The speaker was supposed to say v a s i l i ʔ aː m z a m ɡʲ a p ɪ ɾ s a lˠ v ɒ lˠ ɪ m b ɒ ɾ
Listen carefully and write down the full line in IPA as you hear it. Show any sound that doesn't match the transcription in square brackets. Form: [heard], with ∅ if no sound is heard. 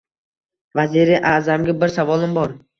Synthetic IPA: v a [z] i [ɾ] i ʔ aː [∅] z a m ɡʲ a [b] ɪ ɾ s a [∅] v ɒ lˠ ɪ m b ɒ ɾ

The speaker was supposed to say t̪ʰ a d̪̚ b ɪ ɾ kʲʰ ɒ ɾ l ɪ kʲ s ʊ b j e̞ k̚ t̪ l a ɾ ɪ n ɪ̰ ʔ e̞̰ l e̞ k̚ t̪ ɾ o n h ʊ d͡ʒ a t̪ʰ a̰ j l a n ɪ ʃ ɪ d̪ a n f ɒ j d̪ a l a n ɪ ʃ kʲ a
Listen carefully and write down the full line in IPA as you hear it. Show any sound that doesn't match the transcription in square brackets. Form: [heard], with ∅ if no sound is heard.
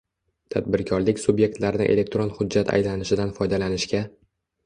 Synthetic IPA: t̪ʰ a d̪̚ b ɪ ɾ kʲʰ ɒ ɾ l ɪ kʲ s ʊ b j e̞ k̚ t̪ l a ɾ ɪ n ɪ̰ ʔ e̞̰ l e̞ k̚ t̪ ɾ o n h ʊ [d͡ʒː] a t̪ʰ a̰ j l a n ɪ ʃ ɪ d̪ a n f ɒ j d̪ a l a n ɪ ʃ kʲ a

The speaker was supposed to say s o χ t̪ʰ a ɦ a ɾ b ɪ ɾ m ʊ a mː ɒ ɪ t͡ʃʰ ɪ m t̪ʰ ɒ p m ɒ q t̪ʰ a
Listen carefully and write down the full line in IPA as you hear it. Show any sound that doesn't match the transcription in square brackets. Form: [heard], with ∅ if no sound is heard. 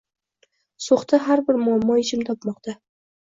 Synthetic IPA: s o χ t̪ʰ a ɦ a ɾ b ɪ ɾ m ʊ a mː ɒ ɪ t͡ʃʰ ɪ m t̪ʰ ɒ p m ɒ q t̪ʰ a

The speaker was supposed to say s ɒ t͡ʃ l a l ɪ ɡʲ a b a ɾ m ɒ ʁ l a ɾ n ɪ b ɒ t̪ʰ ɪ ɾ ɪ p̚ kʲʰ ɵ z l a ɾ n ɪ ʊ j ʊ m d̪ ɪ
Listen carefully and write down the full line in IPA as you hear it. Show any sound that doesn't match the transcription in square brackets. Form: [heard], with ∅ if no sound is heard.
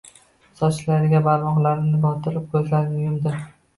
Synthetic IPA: s ɒ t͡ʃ l a [ɾ] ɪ ɡʲ a b a ɾ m ɒ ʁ l a ɾ n ɪ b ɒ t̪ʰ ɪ ɾ ɪ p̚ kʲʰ ɵ z l a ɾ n ɪ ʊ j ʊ m d̪ ɪ

